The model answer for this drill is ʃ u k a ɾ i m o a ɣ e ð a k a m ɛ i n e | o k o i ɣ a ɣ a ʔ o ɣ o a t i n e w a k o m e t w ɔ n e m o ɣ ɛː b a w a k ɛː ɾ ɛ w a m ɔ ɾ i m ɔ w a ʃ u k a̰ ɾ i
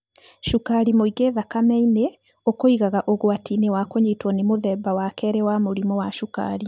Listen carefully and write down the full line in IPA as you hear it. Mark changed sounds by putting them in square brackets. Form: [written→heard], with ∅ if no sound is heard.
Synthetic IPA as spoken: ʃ u k a ɾ i m o [a→i] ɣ e ð a k a m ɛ i n e | o k o i ɣ a ɣ a ʔ o ɣ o a t i n e w a k o [m→ɲ] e t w ɔ n e m o [ɣ→ð] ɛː b a w a k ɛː ɾ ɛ w a m [ɔ→o] ɾ i m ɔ w a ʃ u k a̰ ɾ i